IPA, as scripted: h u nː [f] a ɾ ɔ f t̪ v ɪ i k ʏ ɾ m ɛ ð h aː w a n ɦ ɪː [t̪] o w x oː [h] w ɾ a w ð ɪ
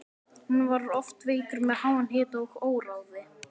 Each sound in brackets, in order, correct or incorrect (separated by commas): incorrect, correct, incorrect